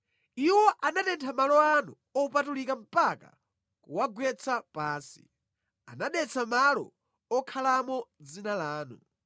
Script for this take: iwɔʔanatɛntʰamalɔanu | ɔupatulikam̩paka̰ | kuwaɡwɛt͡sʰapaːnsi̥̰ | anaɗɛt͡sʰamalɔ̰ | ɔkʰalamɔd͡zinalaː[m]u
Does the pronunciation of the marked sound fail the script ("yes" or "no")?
yes